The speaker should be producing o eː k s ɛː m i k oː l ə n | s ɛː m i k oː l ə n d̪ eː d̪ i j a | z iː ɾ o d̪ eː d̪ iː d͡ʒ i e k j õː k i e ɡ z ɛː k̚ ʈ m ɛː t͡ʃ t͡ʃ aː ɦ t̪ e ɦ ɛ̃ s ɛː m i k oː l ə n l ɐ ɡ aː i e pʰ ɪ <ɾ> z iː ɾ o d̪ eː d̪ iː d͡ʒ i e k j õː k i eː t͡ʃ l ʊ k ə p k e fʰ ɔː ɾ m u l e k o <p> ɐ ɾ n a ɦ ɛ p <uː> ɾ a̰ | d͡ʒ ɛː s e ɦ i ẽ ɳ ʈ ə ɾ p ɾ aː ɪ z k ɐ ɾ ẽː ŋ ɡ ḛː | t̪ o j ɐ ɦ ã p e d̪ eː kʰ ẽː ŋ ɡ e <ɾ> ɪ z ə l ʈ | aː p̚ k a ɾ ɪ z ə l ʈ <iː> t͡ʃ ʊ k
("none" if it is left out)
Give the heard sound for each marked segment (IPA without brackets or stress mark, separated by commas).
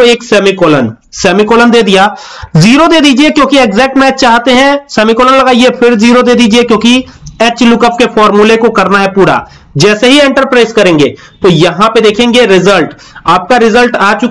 ɾ, k, uː, ɾ, aː